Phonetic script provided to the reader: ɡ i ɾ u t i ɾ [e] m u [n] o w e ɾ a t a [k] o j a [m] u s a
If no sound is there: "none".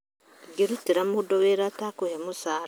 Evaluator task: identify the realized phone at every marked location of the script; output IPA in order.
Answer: a, d, k, m

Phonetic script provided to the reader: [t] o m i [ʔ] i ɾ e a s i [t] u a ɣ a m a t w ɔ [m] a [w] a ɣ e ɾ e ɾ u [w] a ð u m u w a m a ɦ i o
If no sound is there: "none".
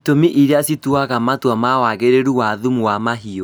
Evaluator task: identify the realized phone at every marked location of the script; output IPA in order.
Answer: t, ʔ, t, m, w, w

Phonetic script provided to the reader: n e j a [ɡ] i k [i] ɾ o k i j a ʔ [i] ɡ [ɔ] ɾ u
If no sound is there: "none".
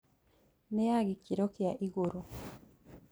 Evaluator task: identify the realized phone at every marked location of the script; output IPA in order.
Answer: ɡ, i, i, u

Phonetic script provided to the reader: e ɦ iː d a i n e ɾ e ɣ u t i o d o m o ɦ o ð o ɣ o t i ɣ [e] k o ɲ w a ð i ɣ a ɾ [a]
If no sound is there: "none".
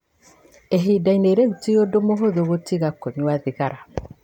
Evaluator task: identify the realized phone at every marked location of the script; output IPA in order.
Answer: a, a

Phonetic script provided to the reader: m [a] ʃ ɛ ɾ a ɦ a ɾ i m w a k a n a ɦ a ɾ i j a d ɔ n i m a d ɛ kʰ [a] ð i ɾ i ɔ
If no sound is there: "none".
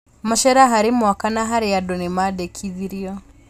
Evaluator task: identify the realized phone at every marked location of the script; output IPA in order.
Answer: a, i

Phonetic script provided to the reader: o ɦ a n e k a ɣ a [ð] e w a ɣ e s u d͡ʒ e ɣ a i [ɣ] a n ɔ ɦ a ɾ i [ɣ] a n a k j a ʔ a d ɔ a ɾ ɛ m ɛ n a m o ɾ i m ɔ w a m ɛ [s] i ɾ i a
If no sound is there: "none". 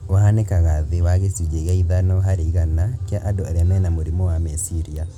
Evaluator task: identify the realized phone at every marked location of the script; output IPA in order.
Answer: ð, ð, ɣ, s

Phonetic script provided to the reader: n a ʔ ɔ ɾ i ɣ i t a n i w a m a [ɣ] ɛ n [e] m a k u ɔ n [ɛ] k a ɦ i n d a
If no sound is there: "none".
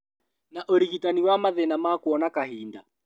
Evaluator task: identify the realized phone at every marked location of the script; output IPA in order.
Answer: ð, a, a

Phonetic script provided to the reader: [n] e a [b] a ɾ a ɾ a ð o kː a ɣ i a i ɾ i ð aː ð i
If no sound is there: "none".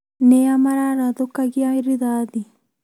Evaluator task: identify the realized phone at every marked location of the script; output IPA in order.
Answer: n, m

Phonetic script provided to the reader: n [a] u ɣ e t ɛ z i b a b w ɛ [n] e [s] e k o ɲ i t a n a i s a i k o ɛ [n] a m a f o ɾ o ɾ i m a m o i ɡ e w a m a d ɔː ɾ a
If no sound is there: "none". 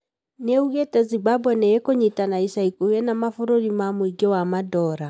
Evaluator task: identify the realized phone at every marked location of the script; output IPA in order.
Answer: e, n, none, n

